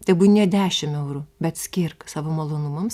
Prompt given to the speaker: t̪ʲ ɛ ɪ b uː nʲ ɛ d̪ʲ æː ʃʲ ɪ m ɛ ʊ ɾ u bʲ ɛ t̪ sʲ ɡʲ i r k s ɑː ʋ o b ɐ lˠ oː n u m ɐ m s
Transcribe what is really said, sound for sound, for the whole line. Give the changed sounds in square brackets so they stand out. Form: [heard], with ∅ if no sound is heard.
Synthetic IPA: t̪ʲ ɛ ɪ b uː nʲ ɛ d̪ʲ æː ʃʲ ɪ m ɛ ʊ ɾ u bʲ ɛ t̪ sʲ [kʲ] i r k s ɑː ʋ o [m] ɐ lˠ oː n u m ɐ m s